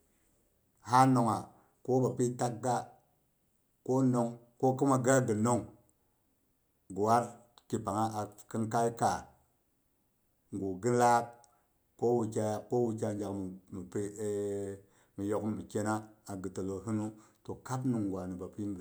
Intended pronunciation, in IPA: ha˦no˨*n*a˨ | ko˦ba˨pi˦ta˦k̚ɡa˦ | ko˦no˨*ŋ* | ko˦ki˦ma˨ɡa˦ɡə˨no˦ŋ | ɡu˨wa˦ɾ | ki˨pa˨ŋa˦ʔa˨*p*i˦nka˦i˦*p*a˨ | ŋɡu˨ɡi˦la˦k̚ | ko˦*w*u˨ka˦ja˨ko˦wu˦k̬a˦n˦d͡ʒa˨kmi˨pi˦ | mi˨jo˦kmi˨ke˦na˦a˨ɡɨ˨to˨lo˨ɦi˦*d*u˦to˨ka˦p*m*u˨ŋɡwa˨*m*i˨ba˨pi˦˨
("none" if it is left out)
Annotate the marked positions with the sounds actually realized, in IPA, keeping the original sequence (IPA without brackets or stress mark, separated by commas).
ŋ, ŋ, k, k, w, n, n, n